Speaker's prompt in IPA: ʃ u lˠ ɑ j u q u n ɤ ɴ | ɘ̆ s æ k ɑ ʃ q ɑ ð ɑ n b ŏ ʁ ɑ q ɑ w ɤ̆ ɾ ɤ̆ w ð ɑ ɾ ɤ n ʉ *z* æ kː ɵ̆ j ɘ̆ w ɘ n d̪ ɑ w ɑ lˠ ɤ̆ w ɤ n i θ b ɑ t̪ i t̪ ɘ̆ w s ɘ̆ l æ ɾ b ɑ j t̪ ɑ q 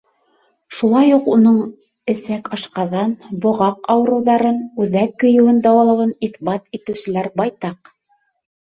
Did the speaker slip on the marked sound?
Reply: yes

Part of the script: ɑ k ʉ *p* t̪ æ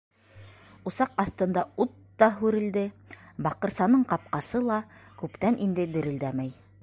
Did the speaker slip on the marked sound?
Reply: no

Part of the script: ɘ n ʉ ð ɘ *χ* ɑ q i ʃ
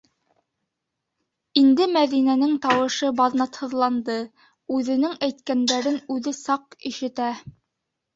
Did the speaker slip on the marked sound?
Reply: yes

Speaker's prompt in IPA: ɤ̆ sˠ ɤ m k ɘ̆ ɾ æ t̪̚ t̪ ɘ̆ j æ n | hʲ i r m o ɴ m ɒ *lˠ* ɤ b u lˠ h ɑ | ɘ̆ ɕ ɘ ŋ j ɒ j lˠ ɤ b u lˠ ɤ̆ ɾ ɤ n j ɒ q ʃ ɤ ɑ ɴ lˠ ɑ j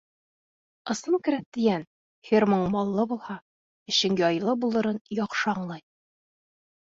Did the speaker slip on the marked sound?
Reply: yes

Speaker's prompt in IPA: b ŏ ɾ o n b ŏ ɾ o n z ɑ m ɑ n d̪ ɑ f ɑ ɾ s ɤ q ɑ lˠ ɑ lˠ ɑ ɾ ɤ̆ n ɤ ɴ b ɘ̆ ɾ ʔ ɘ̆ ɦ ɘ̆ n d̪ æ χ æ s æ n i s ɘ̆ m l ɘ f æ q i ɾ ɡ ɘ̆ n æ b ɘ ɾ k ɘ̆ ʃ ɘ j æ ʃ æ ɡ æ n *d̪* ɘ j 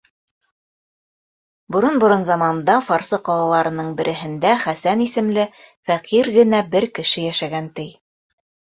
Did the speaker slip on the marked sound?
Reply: yes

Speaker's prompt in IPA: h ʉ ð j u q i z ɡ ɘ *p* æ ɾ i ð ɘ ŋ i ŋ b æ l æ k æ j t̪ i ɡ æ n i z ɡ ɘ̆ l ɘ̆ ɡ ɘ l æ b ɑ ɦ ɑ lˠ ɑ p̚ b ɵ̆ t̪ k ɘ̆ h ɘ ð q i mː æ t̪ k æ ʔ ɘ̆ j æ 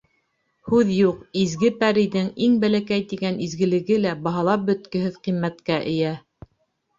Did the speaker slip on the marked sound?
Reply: no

